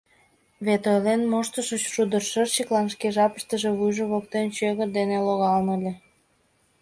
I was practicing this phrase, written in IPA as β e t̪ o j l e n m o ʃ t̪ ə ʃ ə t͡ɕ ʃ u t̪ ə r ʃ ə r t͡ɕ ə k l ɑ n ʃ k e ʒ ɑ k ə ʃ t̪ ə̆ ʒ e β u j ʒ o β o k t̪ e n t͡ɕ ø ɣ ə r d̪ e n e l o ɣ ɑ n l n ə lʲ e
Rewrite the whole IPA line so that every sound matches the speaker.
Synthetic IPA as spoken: β e t̪ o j l e n m o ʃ t̪ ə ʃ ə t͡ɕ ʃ u d̪ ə r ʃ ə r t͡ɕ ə k l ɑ n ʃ k e ʒ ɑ p ə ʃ t̪ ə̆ ʒ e β u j ʒ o β o k t̪ e n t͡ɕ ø ɣ ə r d̪ e n e l o ɣ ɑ l n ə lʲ e